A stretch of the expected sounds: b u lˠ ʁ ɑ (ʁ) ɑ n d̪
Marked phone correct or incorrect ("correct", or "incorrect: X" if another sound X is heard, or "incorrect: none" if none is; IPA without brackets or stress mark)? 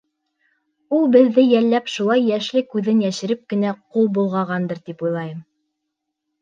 correct